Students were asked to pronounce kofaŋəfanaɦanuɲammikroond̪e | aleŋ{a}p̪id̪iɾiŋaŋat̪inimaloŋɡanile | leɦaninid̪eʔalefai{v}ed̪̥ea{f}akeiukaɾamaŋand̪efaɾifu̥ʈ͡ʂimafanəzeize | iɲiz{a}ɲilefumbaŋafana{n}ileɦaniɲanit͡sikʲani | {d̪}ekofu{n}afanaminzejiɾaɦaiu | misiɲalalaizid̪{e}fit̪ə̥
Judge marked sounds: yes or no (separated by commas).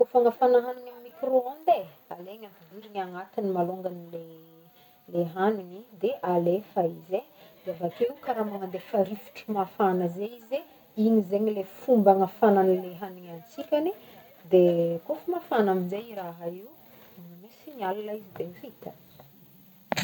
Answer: yes, no, no, no, yes, yes, no, yes